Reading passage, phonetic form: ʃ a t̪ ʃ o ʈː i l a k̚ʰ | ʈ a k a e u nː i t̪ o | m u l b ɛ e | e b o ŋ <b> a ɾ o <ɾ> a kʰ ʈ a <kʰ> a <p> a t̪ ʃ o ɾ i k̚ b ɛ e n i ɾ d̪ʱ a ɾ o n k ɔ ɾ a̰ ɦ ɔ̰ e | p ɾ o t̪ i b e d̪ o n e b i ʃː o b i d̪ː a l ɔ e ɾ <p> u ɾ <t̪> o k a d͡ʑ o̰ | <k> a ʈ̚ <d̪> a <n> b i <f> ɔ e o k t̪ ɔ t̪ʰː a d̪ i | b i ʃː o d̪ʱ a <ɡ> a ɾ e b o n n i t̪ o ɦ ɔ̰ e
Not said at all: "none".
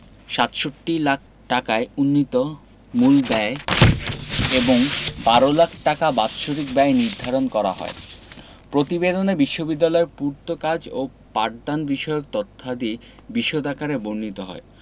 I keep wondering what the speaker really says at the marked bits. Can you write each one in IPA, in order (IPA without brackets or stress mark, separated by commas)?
b, l, k, b, p, t̪, p, d̪, n, ʃ, k